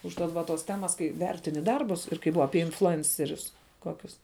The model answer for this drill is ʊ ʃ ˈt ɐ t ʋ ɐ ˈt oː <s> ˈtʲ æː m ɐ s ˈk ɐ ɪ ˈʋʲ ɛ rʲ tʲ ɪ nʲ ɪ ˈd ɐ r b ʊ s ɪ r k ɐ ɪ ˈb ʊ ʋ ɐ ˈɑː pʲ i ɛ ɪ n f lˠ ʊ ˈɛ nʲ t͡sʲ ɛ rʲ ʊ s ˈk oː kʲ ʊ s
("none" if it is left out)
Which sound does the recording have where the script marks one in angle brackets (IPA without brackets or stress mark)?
s